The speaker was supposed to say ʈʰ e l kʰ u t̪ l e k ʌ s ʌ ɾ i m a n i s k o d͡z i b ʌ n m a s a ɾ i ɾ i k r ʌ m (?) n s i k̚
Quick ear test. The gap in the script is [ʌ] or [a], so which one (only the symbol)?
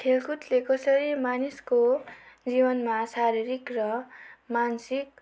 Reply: a